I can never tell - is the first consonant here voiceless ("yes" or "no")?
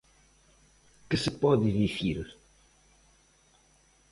yes